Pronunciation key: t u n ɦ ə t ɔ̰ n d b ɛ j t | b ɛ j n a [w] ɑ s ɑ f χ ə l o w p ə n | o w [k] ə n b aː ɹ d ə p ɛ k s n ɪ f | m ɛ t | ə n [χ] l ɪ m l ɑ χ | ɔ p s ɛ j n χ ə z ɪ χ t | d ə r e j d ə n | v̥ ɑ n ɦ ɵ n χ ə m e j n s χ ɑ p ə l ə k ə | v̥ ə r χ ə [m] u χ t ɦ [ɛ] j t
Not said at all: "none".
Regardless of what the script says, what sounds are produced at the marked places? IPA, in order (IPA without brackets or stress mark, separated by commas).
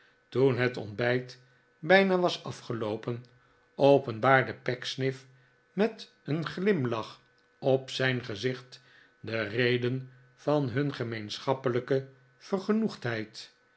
ʋ, p, χ, n, ɛ